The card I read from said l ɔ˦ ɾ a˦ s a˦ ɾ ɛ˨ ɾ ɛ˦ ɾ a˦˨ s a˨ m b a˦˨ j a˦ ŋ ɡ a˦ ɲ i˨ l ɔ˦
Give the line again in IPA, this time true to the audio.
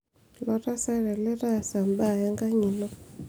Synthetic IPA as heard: l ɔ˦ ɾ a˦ s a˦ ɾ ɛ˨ l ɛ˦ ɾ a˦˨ s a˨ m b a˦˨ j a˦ ŋ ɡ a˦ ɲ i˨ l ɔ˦